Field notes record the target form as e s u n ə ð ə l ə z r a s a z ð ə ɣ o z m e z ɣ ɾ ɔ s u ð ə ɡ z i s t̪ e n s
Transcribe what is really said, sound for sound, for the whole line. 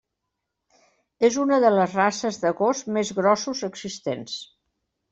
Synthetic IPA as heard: e z u n ə ð ə l ə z r a s ə z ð ə ɣ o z m e z ɣ ɾ ɔ s u z ə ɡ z i s t̪ e n s